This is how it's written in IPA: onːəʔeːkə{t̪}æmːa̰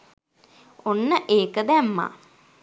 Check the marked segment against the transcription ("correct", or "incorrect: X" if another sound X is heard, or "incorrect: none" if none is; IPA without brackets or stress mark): incorrect: d̪